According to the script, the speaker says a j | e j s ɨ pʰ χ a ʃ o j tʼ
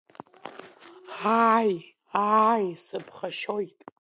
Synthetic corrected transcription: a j | a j s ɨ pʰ χ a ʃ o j tʼ

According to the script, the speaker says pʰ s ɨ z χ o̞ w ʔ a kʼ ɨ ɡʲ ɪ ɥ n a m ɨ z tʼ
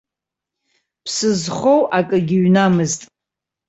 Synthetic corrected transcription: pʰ s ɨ z χ o̞ w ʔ a kʼ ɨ ɡʲ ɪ ɥ n a m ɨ z tʼ

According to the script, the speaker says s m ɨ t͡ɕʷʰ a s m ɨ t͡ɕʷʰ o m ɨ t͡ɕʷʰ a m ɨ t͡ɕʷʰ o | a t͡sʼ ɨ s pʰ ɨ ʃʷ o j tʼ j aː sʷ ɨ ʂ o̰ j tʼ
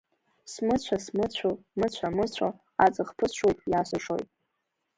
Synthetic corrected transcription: s m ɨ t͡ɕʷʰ a s m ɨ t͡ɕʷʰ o m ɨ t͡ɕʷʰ a m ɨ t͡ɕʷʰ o | a t͡sʼ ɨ χ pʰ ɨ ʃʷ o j tʼ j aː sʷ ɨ ʂ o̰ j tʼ

